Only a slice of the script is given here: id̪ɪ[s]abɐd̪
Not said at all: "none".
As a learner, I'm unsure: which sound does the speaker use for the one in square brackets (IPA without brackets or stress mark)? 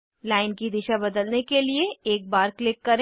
ʃ